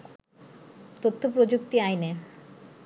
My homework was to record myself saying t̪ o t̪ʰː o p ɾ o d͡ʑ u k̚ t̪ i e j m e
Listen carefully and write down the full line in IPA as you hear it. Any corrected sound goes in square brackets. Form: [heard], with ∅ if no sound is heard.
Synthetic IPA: t̪ o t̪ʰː o p ɾ o d͡ʑ u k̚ t̪ i [a] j [n] e